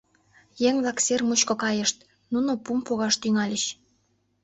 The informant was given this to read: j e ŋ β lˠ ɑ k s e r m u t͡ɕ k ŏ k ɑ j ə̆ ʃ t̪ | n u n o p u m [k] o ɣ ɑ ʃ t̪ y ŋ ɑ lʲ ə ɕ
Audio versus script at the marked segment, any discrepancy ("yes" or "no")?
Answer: yes